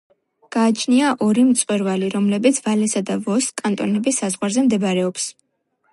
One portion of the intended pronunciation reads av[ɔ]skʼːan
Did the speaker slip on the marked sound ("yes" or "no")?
no